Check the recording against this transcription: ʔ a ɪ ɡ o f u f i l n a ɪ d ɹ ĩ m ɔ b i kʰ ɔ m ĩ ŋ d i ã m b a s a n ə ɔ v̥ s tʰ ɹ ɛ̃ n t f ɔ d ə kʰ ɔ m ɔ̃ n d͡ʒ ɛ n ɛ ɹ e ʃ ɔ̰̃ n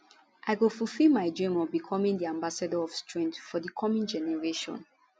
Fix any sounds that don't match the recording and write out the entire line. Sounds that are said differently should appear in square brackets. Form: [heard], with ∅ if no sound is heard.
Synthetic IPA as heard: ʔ a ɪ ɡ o f u f i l [m] a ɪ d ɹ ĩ m ɔ b i kʰ ɔ m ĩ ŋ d i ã m b a s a [d] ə ɔ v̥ s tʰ ɹ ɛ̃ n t f ɔ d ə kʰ ɔ m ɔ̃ n d͡ʒ ɛ n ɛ ɹ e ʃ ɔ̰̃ n